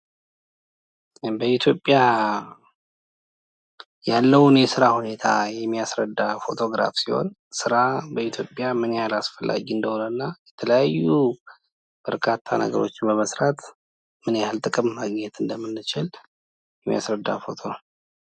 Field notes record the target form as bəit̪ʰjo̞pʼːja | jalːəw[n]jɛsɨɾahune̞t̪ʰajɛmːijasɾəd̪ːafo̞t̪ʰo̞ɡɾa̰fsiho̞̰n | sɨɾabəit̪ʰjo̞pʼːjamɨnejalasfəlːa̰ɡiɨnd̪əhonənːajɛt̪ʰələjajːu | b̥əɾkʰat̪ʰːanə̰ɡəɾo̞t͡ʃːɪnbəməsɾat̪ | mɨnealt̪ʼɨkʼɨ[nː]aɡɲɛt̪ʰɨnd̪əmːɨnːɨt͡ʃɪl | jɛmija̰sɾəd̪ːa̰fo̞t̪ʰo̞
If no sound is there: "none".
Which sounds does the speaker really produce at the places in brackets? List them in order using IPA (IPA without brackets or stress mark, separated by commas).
n, mː